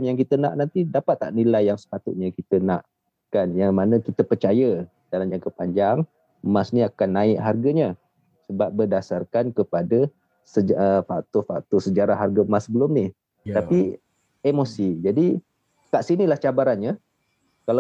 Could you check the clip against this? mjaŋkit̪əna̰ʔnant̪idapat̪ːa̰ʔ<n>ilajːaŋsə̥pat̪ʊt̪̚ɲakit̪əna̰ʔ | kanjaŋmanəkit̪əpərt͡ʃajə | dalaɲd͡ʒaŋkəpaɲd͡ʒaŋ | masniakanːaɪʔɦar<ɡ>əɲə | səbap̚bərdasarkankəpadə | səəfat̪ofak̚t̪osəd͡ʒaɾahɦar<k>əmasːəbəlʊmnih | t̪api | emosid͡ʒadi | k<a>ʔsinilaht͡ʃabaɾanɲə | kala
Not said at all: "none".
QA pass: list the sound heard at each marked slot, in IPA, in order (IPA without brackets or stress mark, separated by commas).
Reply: n, ɡ, ɡ, a